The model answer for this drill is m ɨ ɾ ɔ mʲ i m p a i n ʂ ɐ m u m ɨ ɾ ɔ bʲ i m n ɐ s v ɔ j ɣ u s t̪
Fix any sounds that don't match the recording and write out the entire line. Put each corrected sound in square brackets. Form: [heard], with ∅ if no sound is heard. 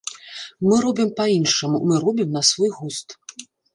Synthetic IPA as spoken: m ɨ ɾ ɔ [bʲ] i m p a i n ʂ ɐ m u m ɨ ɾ ɔ bʲ i m n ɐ s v ɔ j ɣ u s t̪